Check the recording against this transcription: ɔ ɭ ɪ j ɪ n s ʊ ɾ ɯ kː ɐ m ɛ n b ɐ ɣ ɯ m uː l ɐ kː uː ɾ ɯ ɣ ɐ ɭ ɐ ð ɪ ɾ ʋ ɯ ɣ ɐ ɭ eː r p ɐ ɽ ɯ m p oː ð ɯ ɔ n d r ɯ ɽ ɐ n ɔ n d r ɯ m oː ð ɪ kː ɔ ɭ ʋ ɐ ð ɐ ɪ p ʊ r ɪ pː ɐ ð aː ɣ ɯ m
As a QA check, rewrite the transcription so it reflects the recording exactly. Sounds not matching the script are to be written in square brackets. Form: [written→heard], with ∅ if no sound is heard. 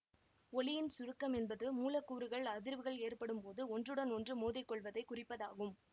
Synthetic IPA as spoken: ɔ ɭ ɪ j ɪ n s ʊ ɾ ɯ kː ɐ m ɛ n b ɐ [ɣ→ð] ɯ m uː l ɐ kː uː ɾ ɯ ɣ ɐ ɭ ɐ ð ɪ ɾ ʋ ɯ ɣ ɐ ɭ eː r p ɐ ɽ ɯ m p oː ð ɯ ɔ n d r ɯ ɽ ɐ n ɔ n d r ɯ m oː ð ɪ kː ɔ ɭ ʋ ɐ ð ɐ ɪ [p→k] ʊ r ɪ pː ɐ ð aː ɣ ɯ m